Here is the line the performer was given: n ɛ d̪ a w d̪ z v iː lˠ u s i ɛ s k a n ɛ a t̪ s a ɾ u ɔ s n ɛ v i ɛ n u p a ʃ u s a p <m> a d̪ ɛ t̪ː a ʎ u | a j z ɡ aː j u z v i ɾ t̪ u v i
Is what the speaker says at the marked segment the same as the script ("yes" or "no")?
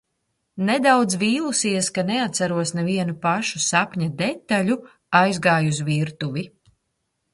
no